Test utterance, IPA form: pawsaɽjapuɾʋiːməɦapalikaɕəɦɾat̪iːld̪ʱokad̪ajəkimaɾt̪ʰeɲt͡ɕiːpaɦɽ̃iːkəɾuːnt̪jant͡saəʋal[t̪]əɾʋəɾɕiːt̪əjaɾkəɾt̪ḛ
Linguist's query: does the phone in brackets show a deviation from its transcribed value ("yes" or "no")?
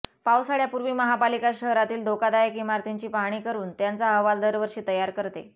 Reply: yes